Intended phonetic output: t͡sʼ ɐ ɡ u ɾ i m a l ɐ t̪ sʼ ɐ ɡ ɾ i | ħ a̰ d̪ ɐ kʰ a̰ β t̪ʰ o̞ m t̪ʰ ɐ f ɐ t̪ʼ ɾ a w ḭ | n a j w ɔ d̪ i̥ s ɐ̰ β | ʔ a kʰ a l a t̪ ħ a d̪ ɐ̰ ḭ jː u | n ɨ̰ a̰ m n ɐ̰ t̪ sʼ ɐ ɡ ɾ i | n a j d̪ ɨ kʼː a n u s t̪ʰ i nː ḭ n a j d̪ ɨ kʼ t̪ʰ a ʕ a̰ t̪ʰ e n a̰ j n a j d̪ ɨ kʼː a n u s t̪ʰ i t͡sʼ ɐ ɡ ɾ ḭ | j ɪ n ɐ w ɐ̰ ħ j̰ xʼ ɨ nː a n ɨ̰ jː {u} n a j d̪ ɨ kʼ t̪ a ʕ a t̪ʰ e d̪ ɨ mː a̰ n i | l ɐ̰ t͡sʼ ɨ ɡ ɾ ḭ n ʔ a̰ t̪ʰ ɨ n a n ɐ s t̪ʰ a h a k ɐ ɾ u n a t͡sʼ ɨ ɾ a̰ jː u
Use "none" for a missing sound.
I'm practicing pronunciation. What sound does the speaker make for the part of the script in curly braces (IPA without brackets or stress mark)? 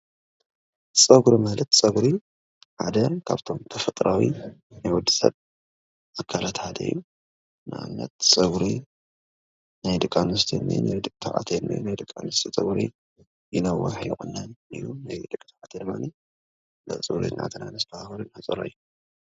u